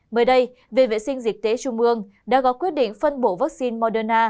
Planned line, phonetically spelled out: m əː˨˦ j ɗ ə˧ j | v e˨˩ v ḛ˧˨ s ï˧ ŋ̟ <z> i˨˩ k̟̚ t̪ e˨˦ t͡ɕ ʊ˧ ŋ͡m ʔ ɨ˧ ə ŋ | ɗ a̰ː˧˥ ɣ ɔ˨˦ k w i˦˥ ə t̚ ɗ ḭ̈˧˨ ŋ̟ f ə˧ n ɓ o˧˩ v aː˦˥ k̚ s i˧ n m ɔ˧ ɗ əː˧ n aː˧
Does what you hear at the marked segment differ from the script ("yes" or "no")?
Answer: no